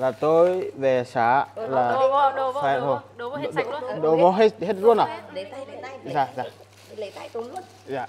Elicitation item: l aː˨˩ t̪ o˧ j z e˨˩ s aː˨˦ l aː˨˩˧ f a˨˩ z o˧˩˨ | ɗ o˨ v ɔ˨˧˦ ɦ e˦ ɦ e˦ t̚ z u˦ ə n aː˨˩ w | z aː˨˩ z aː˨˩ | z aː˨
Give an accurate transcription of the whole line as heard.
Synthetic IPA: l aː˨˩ t̪ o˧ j v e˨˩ s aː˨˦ l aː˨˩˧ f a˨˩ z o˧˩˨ | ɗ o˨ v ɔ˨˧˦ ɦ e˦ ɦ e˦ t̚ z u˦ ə n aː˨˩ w | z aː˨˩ z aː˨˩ | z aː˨

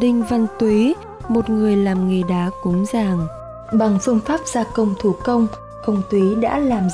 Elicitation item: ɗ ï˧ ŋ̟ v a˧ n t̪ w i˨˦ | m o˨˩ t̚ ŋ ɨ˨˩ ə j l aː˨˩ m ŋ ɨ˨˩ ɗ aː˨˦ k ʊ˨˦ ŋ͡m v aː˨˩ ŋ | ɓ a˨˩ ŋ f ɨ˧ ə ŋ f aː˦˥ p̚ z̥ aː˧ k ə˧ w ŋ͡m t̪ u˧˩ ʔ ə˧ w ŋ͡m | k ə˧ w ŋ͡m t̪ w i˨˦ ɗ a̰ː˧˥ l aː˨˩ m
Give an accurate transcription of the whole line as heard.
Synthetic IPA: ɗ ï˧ ŋ̟ v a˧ n t̪ w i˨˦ | m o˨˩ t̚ ŋ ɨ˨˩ ə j l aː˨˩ m ŋ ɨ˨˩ ɗ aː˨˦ k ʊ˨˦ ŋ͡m z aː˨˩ ŋ | ɓ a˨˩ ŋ f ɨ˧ ə ŋ f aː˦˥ p̚ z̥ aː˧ k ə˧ w ŋ͡m t̪ʰ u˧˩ k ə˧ w ŋ͡m | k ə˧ w ŋ͡m t̪ w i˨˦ ɗ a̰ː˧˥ l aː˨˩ m

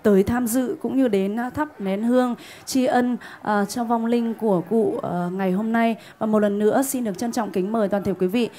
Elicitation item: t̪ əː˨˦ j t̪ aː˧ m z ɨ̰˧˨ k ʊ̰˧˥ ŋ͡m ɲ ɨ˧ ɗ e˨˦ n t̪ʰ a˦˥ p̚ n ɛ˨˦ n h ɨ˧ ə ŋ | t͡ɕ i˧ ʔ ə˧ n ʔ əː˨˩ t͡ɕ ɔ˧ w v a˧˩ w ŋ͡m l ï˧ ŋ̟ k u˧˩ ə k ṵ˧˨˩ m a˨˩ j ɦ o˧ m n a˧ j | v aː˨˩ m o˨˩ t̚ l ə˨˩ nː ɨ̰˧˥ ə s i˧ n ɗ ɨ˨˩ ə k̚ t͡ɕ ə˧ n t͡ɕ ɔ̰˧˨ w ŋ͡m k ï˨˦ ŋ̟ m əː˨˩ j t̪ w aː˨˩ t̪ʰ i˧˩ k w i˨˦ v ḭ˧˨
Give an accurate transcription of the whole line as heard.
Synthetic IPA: t̪ əː˨˦ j t̪ʰ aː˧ m z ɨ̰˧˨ k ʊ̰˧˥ ŋ͡m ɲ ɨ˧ ɗ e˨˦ n t̪ʰ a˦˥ p̚ n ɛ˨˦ n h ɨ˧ ə ŋ | t͡ɕ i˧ ʔ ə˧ n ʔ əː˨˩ t͡ɕ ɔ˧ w v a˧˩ w ŋ͡m l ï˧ ŋ̟ k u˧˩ ə k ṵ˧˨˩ ŋ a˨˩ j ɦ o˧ m n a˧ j | v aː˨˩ m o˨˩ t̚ l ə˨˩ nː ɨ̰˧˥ ə s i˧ n ɗ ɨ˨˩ ə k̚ t͡ɕ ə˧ n t͡ɕ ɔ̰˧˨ w ŋ͡m k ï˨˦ ŋ̟ m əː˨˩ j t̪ w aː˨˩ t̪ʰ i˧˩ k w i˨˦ v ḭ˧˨

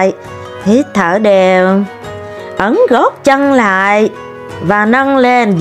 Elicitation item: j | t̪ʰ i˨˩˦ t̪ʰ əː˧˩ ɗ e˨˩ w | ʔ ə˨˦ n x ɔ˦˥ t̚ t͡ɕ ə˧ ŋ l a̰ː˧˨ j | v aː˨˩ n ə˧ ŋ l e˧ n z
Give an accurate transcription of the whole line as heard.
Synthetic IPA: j | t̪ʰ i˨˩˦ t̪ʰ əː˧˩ ɗ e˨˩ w | ʔ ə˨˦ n ɣ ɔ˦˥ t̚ t͡ɕ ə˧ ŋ l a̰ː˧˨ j | v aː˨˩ n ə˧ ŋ l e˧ n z

